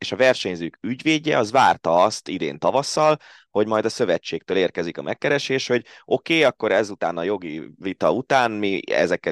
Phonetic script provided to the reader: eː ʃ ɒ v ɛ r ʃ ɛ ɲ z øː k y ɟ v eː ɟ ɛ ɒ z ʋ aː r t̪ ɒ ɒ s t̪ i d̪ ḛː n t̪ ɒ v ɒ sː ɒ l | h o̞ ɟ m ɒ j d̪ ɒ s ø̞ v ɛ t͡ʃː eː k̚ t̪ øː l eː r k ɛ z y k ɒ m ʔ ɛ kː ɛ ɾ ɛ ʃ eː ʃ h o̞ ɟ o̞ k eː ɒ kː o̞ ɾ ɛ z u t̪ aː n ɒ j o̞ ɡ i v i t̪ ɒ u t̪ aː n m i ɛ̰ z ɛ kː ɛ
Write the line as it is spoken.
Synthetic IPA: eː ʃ ɒ v ɛ r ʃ ɛ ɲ z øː k y ɟ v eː ɟ ɛ ɒ z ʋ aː r t̪ ɒ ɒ s t̪ i d̪ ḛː n t̪ ɒ v ɒ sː ɒ l | h o̞ ɟ m ɒ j d̪ ɒ s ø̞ v ɛ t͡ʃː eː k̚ t̪ øː l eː r k ɛ z i k ɒ m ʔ ɛ kː ɛ ɾ ɛ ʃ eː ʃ h o̞ ɟ o̞ k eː ɒ kː o̞ ɾ ɛ z u t̪ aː n ɒ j o̞ ɡ i v i t̪ ɒ u t̪ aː n m i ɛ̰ z ɛ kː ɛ